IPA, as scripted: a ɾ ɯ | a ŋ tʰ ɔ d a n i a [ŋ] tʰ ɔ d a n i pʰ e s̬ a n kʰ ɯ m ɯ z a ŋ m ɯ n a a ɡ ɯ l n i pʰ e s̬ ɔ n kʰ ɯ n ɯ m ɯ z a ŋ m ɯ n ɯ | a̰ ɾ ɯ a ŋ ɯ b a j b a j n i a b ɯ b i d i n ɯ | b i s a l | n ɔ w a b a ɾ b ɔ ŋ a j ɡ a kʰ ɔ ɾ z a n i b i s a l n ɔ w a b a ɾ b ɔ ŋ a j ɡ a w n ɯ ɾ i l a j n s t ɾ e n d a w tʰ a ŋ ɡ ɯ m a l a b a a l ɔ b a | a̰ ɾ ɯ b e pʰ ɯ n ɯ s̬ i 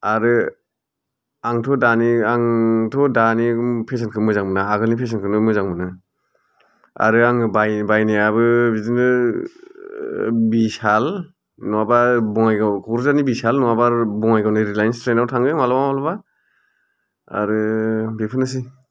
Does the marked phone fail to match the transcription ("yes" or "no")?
no